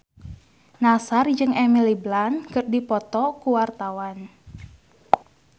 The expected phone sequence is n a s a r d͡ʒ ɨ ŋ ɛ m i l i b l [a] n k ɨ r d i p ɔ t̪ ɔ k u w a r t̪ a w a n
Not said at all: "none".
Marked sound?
a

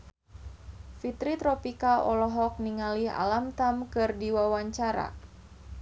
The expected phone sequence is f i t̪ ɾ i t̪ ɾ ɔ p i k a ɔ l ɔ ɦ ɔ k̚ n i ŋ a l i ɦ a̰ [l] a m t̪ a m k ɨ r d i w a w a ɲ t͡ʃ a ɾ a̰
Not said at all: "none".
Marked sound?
l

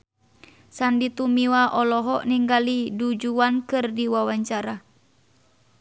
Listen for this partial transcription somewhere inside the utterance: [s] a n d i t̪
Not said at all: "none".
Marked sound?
s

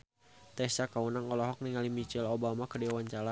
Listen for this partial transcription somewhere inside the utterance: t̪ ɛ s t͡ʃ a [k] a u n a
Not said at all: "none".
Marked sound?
k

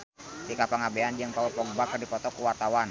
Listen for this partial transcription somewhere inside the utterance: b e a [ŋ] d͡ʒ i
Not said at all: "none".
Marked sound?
n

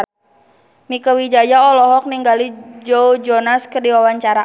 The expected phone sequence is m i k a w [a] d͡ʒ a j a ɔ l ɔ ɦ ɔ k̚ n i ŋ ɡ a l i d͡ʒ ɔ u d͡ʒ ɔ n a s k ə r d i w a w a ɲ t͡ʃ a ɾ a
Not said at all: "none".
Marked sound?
i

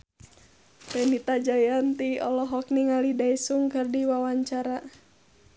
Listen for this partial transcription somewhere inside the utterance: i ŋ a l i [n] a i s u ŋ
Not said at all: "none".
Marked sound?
d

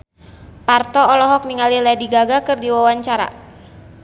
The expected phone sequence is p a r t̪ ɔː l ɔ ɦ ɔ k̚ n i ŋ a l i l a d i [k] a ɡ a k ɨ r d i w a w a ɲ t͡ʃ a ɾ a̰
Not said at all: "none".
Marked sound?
ɡ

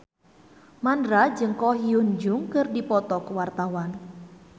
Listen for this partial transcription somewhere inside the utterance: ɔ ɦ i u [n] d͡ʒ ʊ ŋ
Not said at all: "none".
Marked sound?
n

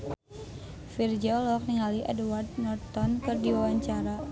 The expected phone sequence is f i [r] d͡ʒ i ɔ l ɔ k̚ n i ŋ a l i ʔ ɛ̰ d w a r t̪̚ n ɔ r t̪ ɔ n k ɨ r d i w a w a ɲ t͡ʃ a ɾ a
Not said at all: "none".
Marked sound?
r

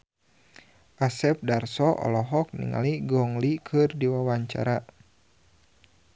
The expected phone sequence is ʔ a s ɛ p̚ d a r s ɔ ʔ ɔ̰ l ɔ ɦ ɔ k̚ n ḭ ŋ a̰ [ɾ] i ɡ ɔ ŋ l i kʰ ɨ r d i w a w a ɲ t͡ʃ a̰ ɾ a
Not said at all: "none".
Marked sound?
l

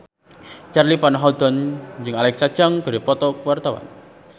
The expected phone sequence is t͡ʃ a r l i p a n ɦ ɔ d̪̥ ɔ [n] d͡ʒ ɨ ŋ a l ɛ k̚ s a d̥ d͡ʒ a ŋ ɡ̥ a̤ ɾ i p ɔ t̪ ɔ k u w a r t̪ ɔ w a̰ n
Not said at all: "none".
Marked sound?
n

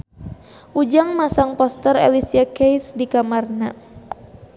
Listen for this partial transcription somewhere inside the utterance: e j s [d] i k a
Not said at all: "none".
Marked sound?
d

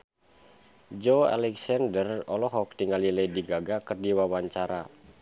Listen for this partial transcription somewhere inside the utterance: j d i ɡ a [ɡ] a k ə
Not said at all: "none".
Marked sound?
ɡ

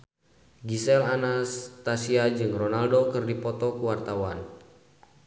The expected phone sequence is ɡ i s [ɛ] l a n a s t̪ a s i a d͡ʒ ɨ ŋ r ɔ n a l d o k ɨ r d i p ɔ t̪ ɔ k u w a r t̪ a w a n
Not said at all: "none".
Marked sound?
ɛ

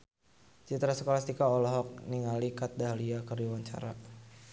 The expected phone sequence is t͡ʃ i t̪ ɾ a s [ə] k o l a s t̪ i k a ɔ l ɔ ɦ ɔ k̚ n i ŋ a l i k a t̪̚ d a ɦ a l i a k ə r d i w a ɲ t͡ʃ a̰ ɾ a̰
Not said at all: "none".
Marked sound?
ə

